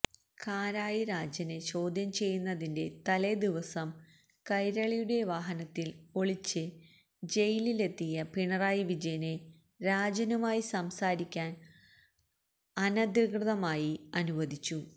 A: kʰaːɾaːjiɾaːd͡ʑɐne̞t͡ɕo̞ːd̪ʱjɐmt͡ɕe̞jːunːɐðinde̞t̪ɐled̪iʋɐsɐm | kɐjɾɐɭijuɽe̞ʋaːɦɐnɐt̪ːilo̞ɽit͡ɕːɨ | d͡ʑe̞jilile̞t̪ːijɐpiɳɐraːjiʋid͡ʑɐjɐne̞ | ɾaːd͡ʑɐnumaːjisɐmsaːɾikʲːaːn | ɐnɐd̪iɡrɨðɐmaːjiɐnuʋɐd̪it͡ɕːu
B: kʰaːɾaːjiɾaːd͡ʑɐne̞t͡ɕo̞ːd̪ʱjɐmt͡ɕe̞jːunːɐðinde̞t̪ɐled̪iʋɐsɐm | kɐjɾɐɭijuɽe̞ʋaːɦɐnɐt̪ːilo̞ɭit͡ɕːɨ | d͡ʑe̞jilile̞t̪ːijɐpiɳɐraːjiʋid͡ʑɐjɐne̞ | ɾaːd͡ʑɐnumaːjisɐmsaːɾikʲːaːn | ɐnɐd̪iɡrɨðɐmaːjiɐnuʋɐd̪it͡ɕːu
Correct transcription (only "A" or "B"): B